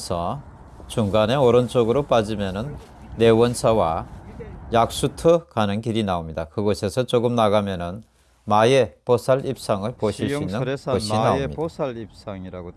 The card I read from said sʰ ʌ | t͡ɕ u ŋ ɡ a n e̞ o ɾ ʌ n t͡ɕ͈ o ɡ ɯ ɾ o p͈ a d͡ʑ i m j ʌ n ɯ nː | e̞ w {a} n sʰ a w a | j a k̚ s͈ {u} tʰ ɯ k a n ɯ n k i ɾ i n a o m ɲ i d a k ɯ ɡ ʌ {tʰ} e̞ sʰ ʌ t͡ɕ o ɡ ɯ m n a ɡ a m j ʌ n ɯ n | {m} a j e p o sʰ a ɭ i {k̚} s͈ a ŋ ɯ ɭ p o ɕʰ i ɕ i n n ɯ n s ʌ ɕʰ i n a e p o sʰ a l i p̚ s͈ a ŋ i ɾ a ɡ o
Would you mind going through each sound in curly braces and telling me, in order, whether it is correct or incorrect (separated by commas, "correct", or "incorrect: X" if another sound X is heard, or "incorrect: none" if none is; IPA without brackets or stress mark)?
incorrect: ʌ, correct, incorrect: sʰ, correct, incorrect: p̚